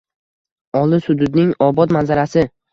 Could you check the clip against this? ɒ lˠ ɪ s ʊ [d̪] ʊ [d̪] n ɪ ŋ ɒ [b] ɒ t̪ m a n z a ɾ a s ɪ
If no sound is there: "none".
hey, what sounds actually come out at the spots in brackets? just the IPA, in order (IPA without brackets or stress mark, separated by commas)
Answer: d̪, d̪, b